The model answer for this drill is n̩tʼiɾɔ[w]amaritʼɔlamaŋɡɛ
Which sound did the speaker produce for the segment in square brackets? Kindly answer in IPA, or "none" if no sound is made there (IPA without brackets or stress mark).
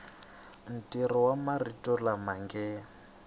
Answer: w